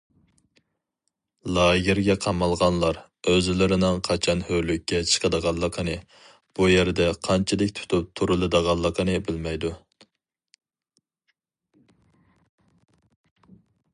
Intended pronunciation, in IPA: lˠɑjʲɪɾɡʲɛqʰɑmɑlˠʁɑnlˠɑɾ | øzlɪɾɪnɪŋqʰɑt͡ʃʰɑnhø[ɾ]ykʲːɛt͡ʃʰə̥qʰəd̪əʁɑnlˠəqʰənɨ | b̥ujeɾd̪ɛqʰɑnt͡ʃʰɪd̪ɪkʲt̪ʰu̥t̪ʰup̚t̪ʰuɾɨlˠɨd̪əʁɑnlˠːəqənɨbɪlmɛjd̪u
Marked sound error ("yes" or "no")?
yes